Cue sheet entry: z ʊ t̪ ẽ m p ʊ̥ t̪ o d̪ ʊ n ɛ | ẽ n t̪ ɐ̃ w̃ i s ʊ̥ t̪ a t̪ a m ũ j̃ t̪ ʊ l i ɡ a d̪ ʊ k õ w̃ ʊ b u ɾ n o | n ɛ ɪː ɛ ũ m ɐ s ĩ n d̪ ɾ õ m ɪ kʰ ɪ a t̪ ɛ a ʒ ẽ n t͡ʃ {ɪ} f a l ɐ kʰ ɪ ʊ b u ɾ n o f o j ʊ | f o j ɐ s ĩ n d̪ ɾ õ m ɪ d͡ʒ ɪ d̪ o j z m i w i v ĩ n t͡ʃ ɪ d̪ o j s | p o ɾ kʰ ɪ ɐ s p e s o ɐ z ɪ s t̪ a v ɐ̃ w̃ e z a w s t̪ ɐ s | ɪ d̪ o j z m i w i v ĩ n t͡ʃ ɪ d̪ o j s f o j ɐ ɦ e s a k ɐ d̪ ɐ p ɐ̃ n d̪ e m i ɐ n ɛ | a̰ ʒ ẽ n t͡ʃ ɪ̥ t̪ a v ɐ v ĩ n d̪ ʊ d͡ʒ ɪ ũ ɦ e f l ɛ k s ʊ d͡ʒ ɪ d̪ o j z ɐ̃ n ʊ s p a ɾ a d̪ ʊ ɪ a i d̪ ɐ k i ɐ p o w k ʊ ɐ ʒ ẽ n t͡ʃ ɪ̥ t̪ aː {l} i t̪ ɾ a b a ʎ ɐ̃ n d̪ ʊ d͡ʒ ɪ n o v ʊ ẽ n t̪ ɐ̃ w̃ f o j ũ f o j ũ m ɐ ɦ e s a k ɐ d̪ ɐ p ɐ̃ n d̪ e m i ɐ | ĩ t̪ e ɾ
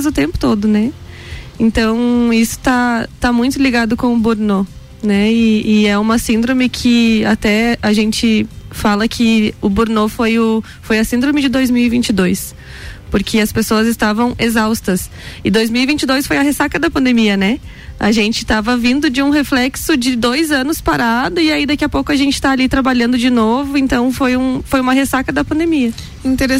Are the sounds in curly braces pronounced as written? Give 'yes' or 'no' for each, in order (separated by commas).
yes, yes